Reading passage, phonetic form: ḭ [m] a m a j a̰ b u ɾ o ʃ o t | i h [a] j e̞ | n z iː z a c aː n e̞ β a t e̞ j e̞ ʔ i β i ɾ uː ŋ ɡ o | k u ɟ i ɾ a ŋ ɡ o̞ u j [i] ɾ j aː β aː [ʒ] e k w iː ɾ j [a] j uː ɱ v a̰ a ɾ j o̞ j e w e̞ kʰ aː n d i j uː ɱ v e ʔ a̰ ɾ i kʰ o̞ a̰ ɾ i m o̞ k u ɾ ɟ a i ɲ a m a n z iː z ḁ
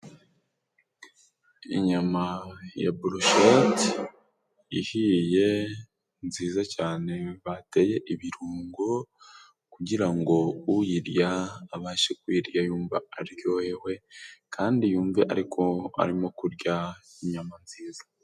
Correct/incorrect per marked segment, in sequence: incorrect, incorrect, correct, incorrect, correct

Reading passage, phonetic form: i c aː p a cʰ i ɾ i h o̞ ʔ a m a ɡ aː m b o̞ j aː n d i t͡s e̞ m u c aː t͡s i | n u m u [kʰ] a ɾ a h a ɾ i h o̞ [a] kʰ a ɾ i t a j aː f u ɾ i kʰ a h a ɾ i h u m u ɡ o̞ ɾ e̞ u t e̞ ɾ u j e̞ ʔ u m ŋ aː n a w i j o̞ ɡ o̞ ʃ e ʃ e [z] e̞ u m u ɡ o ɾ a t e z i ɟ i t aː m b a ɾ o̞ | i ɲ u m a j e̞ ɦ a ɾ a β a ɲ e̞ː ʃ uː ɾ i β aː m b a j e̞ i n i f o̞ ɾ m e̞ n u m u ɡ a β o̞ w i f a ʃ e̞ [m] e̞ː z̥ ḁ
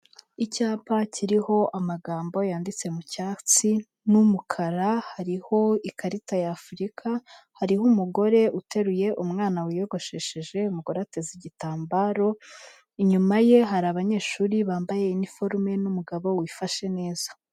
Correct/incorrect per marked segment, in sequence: correct, incorrect, incorrect, incorrect

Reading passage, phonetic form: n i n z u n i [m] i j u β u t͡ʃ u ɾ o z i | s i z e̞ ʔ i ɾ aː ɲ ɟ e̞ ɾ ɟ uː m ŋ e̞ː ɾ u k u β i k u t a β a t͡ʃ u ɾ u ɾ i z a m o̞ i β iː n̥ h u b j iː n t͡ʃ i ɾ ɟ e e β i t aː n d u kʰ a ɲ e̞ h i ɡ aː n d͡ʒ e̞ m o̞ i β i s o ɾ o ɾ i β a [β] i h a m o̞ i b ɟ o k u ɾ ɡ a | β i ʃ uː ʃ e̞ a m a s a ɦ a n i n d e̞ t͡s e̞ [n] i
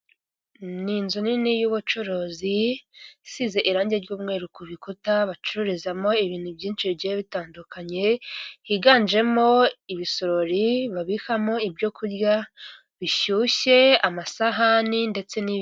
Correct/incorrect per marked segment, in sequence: incorrect, correct, correct

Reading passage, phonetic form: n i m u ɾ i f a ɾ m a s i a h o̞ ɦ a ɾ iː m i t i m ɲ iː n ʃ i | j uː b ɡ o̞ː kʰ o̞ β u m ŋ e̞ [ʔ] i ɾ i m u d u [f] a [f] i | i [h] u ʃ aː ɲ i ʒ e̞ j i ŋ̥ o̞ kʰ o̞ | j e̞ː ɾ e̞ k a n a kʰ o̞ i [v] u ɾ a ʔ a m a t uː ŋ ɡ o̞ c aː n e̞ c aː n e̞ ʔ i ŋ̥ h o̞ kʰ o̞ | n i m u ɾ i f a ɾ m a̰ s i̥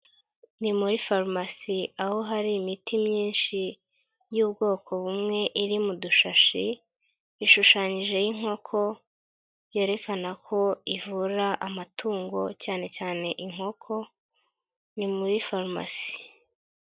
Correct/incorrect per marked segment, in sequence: correct, incorrect, incorrect, incorrect, correct

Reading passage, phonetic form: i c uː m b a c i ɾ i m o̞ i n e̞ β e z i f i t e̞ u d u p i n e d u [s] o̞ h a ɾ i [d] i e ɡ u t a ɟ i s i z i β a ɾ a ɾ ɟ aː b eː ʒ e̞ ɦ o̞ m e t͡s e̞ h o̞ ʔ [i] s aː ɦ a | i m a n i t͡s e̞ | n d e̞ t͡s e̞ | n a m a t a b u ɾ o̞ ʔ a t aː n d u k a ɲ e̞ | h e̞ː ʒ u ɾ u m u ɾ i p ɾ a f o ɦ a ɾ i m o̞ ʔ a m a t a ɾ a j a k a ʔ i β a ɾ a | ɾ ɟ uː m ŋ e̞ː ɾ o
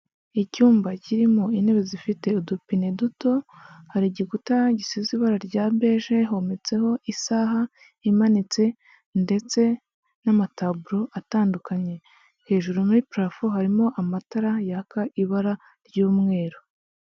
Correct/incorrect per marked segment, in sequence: incorrect, incorrect, correct

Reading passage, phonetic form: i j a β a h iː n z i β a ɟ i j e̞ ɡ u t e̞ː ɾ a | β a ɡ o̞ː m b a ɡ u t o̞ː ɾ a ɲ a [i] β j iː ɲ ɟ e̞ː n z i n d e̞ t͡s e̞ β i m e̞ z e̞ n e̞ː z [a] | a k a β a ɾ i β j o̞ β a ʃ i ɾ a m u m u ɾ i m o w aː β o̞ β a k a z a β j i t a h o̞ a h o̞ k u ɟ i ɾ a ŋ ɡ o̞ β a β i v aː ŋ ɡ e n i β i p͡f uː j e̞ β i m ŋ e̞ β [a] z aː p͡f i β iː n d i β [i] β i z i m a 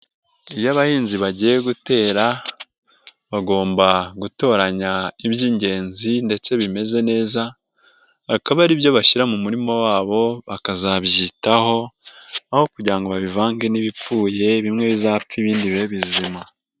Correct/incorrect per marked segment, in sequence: correct, correct, incorrect, incorrect

